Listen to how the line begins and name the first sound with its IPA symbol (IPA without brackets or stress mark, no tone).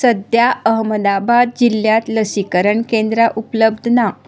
s